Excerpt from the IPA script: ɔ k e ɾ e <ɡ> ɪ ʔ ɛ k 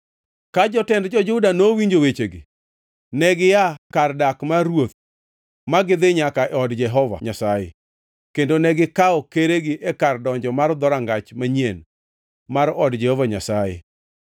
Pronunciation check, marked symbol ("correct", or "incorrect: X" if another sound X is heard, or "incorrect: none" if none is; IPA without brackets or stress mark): correct